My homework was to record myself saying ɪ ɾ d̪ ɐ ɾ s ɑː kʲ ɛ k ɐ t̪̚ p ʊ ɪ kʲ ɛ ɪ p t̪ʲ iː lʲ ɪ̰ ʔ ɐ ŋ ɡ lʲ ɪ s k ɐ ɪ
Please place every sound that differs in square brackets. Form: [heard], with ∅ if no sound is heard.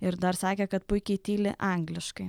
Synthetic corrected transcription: ɪ ɾ d̪ ɐ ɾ s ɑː kʲ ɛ k ɐ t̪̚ p ʊ ɪ kʲ ɛ ɪ [∅] t̪ʲ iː lʲ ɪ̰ ʔ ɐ ŋ ɡ lʲ ɪ [ʃ] k ɐ ɪ